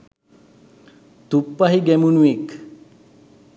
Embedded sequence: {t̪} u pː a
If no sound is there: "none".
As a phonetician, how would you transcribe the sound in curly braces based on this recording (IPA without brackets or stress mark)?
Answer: t̪